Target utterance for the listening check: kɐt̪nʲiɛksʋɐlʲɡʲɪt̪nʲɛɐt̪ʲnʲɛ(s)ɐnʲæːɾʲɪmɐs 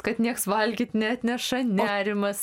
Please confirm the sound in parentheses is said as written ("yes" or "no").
no